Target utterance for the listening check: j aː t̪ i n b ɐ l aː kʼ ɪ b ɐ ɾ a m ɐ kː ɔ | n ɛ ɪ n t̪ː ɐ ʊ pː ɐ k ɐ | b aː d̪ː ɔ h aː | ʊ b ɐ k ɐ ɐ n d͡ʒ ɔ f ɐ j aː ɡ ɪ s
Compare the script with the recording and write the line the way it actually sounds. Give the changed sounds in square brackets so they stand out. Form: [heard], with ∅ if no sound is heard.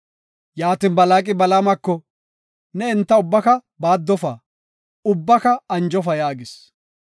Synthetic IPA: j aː t̪ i n b ɐ l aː kʼ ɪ b ɐ [l] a m ɐ kː ɔ | n ɛ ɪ n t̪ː ɐ ʊ [bː] ɐ k ɐ | b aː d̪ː ɔ [f] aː | ʊ [bː] ɐ k ɐ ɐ n d͡ʒ ɔ f ɐ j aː ɡ ɪ s